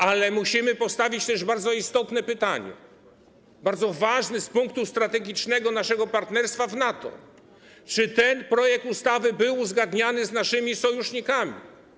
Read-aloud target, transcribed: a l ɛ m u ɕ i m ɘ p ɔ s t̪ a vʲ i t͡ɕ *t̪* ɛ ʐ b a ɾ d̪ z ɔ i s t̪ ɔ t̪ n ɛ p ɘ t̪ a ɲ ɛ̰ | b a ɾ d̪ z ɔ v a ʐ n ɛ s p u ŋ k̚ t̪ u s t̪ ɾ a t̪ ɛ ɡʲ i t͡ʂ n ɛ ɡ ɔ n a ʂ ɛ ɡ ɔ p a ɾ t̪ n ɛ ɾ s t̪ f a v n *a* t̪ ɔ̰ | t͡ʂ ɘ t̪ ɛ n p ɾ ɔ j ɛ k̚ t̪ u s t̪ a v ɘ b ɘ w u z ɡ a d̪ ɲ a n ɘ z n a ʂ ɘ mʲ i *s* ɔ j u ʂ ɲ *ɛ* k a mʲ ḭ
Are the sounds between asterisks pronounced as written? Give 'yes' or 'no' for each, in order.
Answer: yes, yes, yes, no

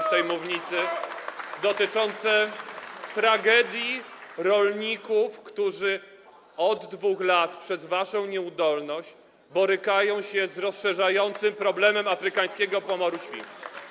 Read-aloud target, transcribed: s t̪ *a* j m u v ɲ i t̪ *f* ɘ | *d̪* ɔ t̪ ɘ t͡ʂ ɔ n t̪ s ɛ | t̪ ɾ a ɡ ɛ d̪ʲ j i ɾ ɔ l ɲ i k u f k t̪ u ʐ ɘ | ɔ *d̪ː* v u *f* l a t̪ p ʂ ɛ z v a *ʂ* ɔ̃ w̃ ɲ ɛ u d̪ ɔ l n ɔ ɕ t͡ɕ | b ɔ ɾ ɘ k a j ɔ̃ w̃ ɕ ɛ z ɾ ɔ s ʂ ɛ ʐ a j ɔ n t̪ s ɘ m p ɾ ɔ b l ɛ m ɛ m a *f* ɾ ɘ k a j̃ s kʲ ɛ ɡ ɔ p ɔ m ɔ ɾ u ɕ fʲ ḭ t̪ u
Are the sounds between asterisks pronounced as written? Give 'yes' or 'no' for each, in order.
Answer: no, no, yes, yes, no, yes, yes

